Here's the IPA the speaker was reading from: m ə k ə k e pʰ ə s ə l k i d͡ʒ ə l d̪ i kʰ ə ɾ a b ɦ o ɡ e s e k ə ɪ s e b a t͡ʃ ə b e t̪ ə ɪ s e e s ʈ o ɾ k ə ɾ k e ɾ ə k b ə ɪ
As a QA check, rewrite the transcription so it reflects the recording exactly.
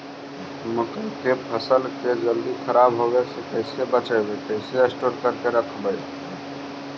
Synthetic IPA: m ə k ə k e pʰ ə s ə l k e d͡ʒ ə l d̪ i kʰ ə ɾ a b ɦ o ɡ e s e k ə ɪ s e b ə t͡ʃ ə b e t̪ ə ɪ s e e s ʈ o ɾ k ə ɾ k e ɾ ə kʰ b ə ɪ